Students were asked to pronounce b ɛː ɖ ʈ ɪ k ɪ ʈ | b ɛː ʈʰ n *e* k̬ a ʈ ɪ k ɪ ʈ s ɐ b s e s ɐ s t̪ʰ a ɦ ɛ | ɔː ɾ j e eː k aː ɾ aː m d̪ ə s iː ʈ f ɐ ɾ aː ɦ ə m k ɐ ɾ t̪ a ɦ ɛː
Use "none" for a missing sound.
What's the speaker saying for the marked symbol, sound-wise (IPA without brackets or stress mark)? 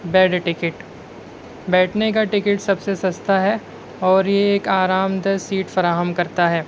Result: e